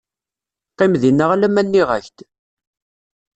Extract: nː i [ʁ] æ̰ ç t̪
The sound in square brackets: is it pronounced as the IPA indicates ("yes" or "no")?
yes